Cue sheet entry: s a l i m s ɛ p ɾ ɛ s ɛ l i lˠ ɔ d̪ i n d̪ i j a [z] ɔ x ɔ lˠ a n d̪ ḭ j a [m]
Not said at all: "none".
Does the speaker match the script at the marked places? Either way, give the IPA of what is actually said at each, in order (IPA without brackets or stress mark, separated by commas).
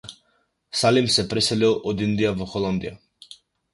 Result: v, none